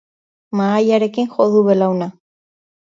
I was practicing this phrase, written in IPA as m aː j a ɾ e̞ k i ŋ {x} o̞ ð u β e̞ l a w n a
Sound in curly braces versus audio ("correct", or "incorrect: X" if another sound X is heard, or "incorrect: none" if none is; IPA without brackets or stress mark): correct